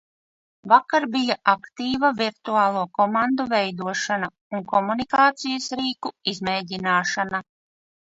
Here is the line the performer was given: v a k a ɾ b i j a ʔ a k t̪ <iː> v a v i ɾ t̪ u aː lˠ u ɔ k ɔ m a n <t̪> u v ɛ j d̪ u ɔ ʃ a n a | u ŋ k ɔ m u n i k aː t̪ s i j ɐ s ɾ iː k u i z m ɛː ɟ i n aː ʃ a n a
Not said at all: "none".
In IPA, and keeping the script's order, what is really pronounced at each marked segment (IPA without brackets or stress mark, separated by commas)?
iː, d̪